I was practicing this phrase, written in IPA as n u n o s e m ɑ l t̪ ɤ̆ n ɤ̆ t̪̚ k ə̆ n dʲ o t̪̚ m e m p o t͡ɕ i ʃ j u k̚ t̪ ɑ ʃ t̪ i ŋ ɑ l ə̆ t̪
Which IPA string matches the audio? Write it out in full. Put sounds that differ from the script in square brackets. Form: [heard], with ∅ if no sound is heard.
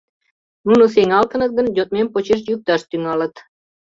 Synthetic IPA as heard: n u n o s e [ŋ] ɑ l t̪ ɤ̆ n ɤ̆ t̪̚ [ɡ] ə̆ n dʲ o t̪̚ m e m p o t͡ɕ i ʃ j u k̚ t̪ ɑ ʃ t̪ [y] ŋ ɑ l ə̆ t̪